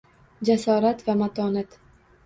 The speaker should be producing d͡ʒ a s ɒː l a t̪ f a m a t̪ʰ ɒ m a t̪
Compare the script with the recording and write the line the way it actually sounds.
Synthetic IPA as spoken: d͡ʒ a s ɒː ɾ a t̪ v a m a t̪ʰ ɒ n a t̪